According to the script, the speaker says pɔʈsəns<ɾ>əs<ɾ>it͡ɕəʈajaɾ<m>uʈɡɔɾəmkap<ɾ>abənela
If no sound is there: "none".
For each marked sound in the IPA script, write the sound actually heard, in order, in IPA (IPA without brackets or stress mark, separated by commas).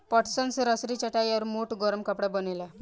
ɾ, ɾ, m, ɽ